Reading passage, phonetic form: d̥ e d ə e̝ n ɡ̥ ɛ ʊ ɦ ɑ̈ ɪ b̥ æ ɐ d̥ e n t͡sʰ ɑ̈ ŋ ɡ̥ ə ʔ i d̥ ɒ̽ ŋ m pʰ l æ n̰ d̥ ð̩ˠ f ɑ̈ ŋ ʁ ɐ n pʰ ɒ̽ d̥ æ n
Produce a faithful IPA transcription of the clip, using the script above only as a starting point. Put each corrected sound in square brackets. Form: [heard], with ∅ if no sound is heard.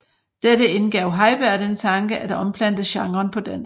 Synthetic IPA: d̥ e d ə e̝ n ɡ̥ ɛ ʊ ɦ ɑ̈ ɪ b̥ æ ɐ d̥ e n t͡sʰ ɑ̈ ŋ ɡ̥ ə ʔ [æ] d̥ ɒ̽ [∅] m pʰ l æ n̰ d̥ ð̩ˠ [ɕ] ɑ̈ ŋ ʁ ɐ n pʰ ɒ̽ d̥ æ n